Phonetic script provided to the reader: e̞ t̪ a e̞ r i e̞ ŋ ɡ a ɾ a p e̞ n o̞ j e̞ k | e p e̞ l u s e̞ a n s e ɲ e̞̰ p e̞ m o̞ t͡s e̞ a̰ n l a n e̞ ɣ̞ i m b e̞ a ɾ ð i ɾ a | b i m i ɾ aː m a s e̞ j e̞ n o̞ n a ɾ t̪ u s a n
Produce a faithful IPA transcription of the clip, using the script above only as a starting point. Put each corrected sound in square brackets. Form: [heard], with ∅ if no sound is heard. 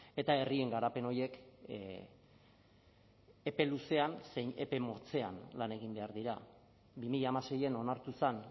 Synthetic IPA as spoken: e̞ t̪ a e̞ r i e̞ ŋ ɡ a ɾ a p e̞ n o̞ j e̞ k | e p e̞ l u s e̞ a n s e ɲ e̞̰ p e̞ m o̞ t͡s e̞ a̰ n l a n e̞ ɣ̞ i m b e̞ a ɾ ð i ɾ a | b i m i [ʎ] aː m a s e̞ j e̞ n o̞ n a ɾ t̪ u s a n